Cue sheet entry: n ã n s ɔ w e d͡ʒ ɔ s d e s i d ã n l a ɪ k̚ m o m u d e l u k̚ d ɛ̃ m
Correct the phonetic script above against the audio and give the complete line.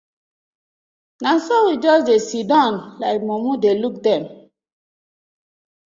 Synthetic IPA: n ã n s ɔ w i d͡ʒ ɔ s d e s i d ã n l a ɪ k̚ m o m u d e l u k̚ d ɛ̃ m